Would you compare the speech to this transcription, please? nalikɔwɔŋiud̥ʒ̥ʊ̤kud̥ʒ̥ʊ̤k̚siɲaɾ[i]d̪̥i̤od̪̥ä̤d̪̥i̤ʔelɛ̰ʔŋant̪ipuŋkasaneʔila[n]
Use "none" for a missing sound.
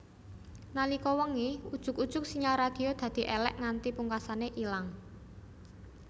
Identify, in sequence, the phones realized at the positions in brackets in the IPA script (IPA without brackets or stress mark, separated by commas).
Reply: a, ŋ